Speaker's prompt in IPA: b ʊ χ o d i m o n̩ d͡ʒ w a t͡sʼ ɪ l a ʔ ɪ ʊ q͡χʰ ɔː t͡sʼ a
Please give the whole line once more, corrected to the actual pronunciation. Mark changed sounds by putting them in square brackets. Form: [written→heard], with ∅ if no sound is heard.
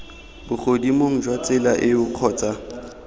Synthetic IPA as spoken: b ʊ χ o d i m o [n̩→ŋ̩] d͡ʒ w a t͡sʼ ɪ l a ʔ ɪ ʊ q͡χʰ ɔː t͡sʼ a